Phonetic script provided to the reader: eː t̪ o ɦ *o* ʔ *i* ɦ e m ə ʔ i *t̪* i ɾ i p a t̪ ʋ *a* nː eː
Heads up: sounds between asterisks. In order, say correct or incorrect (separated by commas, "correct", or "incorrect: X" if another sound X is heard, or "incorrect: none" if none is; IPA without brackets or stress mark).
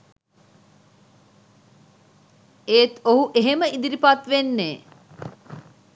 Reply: incorrect: u, incorrect: e, incorrect: d̪, incorrect: e